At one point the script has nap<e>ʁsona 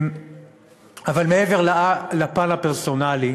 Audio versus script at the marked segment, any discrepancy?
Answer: no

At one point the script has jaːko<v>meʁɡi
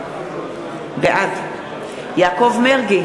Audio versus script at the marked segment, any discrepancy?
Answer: no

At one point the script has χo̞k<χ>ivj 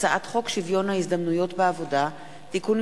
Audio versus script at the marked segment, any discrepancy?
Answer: yes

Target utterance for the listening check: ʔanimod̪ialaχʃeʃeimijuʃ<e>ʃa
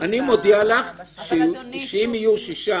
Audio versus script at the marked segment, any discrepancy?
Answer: yes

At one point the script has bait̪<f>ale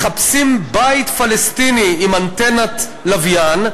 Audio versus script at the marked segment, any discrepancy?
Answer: no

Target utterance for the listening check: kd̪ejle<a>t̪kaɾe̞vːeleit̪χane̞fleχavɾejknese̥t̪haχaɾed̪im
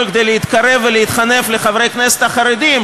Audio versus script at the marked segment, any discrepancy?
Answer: yes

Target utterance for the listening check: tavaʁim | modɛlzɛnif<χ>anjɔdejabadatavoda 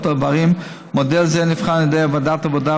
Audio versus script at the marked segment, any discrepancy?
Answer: no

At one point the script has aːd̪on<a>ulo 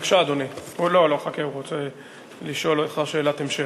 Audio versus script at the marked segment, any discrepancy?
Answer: yes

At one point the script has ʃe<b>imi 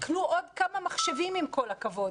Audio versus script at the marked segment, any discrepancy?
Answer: yes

